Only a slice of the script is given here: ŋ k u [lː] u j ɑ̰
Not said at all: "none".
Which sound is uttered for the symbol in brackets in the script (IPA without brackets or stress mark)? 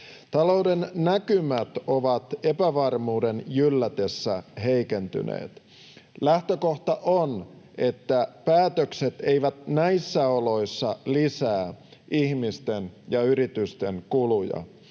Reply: l